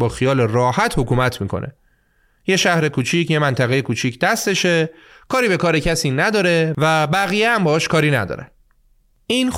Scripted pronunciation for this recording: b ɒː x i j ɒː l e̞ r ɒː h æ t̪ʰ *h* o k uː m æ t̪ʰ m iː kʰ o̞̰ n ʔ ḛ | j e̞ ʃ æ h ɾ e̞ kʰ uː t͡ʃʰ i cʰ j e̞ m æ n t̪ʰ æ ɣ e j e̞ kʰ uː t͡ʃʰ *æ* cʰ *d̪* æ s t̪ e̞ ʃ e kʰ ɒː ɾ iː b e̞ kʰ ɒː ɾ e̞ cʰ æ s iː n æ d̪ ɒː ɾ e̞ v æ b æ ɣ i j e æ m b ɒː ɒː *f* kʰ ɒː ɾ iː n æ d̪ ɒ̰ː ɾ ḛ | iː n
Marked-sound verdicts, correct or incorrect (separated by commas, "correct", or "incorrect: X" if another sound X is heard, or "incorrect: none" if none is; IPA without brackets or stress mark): correct, incorrect: i, correct, incorrect: ʃ